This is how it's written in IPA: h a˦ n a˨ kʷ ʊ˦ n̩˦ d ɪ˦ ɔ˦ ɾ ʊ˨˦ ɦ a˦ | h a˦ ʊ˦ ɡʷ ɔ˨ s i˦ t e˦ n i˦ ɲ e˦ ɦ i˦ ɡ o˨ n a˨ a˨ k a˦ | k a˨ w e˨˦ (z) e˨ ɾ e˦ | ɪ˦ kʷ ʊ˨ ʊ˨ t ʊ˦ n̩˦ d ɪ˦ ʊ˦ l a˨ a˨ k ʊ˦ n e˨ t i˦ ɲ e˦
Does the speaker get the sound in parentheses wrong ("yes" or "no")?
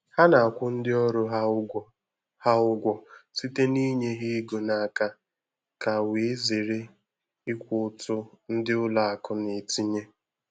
no